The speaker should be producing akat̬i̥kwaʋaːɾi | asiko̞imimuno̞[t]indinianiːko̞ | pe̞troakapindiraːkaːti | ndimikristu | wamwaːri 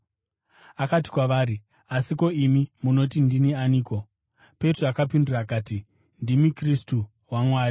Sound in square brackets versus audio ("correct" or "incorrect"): correct